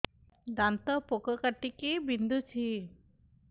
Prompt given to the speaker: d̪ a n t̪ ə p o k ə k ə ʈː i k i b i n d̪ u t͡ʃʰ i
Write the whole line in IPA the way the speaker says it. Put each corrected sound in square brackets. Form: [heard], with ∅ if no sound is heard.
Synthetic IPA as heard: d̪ a n t̪ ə p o k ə k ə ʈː i k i b i n d̪ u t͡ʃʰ i

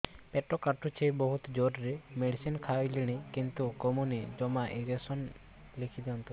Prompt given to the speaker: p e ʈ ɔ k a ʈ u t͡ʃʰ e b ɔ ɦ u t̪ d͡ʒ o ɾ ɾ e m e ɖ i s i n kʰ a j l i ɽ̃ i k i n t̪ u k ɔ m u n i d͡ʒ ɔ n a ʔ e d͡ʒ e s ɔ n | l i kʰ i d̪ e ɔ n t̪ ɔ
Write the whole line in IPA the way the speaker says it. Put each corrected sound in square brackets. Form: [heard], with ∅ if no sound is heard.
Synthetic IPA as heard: p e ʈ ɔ k a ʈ u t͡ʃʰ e b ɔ ɦ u t̪ d͡ʒ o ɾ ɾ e m e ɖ i s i n kʰ a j l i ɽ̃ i k i n t̪ u k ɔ m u n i d͡ʒ ɔ [m] a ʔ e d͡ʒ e s ɔ n | l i kʰ i d̪ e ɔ n t̪ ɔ

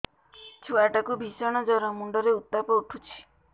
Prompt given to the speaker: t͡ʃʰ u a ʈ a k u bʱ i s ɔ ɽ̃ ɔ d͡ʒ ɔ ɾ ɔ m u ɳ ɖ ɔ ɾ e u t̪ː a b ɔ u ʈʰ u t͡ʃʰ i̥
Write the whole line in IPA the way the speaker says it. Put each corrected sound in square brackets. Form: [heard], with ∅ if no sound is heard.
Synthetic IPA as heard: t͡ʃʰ u a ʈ a k u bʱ i s ɔ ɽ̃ ɔ d͡ʒ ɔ ɾ ɔ m u ɳ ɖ ɔ ɾ e u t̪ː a [p] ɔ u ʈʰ u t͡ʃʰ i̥

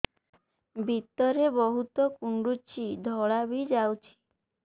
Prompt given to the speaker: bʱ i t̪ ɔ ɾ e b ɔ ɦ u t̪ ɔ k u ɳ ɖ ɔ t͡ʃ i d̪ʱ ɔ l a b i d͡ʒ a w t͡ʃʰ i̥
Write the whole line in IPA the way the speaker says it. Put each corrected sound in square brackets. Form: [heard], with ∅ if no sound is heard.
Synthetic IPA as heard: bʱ i t̪ ɔ ɾ e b ɔ ɦ u t̪ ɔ k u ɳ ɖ [u] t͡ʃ i d̪ʱ ɔ [ɭ] a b i d͡ʒ a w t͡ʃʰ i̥

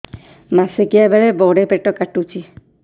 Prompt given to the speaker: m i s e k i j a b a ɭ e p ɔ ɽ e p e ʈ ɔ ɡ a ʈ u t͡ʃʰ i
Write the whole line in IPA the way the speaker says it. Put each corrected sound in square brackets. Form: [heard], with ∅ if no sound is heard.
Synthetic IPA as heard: m [a] s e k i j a b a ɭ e [b] ɔ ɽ e p e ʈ ɔ [k] a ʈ u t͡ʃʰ i

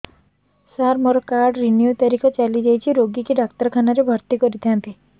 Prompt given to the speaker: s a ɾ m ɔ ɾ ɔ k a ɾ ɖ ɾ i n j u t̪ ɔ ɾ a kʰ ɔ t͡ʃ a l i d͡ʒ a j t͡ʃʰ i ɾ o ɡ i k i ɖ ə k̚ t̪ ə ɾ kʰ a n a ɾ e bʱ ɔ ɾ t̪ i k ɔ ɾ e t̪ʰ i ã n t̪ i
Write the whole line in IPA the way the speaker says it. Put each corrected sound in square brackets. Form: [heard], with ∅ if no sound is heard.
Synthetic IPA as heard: s a ɾ m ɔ ɾ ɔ k a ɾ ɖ ɾ i n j u t̪ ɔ ɾ [i] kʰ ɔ t͡ʃ a l i d͡ʒ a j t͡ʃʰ i ɾ o ɡ i k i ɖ [a] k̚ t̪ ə ɾ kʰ a n a ɾ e bʱ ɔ ɾ t̪ i k ɔ ɾ [i] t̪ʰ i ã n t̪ i

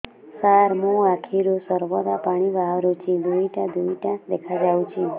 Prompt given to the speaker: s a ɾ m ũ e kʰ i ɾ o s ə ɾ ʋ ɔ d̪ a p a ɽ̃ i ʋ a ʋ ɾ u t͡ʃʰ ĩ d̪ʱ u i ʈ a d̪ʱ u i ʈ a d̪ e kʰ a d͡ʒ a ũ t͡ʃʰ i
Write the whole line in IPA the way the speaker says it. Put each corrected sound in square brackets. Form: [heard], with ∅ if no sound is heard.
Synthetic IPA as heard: s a ɾ m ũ [a] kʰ i ɾ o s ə ɾ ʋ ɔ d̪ a p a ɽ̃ i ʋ a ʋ ɾ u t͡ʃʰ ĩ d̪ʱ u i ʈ a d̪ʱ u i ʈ a d̪ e kʰ a d͡ʒ a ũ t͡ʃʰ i

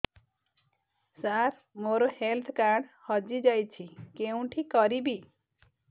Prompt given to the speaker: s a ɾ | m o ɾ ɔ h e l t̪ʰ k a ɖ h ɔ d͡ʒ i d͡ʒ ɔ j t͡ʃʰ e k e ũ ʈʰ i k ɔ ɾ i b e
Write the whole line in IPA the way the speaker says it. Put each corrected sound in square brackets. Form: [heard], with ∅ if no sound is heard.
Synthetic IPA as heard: s a ɾ | m o ɾ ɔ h e l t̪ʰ k a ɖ h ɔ d͡ʒ i d͡ʒ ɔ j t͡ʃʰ [i] k e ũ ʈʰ i k ɔ ɾ i b [i]

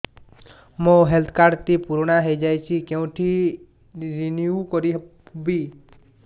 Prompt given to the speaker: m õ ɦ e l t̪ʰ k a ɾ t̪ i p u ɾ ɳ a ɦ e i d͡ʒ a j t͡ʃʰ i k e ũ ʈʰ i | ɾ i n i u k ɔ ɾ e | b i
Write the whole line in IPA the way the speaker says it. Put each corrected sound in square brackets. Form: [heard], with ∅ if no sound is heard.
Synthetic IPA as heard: m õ ɦ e l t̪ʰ k a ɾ t̪ i p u ɾ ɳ a ɦ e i d͡ʒ a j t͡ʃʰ i k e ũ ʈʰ i | ɾ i n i u k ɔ ɾ [i] | b i

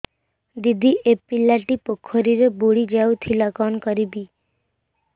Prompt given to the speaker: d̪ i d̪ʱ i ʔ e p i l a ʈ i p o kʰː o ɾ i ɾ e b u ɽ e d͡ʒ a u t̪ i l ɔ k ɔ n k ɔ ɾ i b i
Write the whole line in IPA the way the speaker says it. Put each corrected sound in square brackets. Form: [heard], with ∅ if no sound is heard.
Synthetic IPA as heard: d̪ i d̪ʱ i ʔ e p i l a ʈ i p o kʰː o ɾ i ɾ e b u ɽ [i] d͡ʒ a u [t̪ʰ] i l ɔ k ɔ n k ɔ ɾ i b i

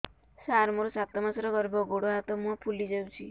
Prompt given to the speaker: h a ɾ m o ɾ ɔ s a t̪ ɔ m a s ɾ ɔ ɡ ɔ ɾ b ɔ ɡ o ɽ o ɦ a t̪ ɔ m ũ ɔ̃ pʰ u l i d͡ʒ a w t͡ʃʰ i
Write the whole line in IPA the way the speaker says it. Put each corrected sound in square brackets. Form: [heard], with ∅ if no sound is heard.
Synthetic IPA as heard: [s] a ɾ m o ɾ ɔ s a t̪ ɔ m a s ɾ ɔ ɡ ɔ ɾ b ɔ ɡ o ɽ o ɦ a t̪ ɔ m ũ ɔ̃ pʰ u l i d͡ʒ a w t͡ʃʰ i

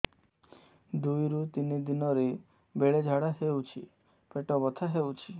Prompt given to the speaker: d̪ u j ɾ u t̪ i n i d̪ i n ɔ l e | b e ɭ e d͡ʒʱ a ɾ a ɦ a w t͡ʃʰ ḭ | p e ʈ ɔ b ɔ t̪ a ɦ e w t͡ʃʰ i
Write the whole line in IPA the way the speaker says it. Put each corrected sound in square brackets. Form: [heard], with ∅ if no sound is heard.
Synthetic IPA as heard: d̪ u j ɾ u t̪ i n i d̪ i n ɔ [ɾ] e | b e ɭ e d͡ʒʱ a [ɽ] a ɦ [e] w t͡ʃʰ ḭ | p e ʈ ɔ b ɔ [t̪ʰ] a ɦ e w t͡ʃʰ i

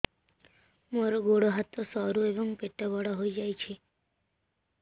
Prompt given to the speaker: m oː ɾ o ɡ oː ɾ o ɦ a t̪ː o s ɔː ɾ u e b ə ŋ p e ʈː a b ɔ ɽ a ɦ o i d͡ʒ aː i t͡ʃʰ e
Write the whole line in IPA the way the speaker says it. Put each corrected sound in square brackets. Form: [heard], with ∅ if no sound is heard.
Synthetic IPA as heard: m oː ɾ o ɡ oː [ɽ] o ɦ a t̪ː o s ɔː ɾ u e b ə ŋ p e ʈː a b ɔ ɽ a ɦ o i d͡ʒ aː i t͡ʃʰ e

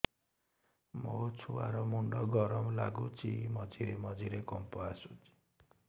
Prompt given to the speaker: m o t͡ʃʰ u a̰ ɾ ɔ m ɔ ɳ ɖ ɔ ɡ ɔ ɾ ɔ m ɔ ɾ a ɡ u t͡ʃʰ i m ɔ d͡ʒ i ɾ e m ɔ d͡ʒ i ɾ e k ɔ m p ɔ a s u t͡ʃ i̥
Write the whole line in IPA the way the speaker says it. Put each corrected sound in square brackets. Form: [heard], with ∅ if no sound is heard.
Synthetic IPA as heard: m o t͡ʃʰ u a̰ ɾ ɔ m [u] ɳ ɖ ɔ ɡ ɔ ɾ ɔ m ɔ [l] a ɡ u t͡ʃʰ i m ɔ d͡ʒ i ɾ e m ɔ d͡ʒ i ɾ e k ɔ m p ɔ a s u t͡ʃ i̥

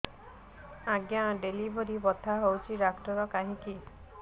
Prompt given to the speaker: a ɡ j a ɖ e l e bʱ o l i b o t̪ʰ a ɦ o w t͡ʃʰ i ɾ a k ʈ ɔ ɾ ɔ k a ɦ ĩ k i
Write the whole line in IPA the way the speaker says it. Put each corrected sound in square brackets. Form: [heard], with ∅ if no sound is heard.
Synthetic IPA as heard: a ɡ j a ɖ e l [i] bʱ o [ɾ] i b [ɔ] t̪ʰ a ɦ o w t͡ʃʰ i ɾ a k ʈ ɔ ɾ ɔ k a ɦ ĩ k i

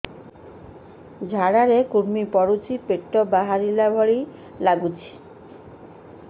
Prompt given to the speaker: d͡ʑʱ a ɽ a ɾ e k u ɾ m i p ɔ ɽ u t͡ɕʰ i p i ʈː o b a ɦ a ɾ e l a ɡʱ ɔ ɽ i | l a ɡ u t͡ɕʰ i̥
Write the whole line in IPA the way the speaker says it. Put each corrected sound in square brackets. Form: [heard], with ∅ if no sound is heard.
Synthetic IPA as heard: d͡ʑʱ a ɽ a ɾ e k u ɾ m i p ɔ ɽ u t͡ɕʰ i p [e] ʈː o b a ɦ a ɾ [i] l a [bʱ] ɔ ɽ i | l a ɡ u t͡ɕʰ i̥

